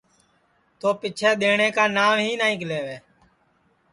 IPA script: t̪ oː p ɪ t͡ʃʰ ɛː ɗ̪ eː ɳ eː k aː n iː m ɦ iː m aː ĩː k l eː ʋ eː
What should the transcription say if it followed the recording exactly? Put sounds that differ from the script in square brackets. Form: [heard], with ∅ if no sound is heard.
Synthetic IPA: t̪ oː p ɪ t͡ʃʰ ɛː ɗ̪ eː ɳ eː k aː n [aː] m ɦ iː [n] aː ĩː k l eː ʋ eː